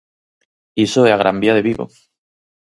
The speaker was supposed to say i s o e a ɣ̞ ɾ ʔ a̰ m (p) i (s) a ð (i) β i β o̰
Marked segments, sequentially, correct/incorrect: incorrect: b, incorrect: none, incorrect: e

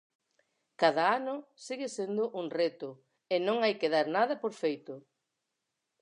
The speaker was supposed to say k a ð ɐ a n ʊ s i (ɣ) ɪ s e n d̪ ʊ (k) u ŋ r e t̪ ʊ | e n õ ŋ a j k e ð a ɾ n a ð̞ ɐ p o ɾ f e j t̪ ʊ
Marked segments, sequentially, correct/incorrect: correct, incorrect: ʔ

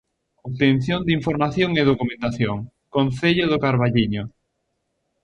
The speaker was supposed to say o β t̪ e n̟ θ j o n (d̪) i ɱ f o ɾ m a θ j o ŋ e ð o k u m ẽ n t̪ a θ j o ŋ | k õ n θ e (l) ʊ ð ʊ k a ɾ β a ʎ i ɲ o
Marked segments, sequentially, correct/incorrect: correct, incorrect: ʎ

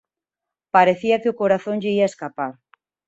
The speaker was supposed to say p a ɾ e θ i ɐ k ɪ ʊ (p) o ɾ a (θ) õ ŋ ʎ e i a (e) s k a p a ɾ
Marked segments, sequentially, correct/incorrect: incorrect: k, correct, correct

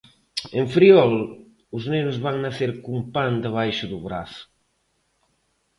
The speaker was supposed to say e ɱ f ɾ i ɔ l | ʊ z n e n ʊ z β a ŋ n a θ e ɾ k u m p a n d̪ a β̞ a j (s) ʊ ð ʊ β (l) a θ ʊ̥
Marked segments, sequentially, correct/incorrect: incorrect: ʃ, incorrect: ɾ

